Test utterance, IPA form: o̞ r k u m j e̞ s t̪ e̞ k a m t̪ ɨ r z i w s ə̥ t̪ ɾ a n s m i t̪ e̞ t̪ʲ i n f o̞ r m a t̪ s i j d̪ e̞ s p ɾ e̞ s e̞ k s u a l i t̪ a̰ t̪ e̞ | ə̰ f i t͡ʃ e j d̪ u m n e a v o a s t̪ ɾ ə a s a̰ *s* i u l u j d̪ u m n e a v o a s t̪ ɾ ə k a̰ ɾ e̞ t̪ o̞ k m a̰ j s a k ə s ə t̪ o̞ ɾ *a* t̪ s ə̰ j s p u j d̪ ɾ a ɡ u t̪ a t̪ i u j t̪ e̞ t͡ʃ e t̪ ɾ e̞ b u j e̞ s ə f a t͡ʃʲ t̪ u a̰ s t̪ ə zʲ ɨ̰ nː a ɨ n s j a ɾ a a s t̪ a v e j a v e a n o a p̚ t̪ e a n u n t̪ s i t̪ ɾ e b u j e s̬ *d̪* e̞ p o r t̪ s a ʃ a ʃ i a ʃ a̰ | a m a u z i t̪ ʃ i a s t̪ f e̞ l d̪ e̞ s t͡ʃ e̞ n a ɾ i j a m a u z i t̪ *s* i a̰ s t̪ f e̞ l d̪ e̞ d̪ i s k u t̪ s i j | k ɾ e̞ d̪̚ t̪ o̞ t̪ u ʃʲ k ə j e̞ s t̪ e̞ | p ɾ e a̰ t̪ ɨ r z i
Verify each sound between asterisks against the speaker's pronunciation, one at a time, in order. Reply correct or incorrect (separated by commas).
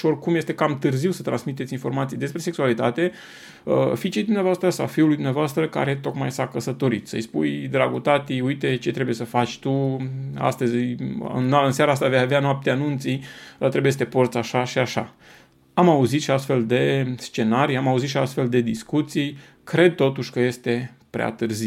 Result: incorrect, incorrect, incorrect, incorrect